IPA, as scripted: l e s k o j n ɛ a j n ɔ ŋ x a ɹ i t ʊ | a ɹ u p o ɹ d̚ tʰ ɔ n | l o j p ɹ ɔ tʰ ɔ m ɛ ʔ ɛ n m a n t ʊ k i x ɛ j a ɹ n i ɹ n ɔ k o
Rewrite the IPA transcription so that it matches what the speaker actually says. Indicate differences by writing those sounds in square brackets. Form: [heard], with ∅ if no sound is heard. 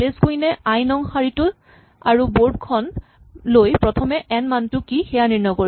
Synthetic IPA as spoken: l e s k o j n ɛ a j n ɔ ŋ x a ɹ i t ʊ | a ɹ u [b] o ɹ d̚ [kʰ] ɔ n | l o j p ɹ ɔ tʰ ɔ m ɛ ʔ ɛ n m a n t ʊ k i x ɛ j a [∅] n i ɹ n ɔ k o